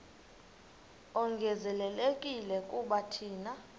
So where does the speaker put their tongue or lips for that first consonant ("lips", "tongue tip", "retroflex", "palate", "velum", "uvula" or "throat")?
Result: velum